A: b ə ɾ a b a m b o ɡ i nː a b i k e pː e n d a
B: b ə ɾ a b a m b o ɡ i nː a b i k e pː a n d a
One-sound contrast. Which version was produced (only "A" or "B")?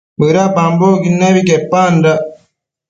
B